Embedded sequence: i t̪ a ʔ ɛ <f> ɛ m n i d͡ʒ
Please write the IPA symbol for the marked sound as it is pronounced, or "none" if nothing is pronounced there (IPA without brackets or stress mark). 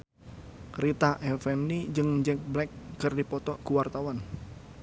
f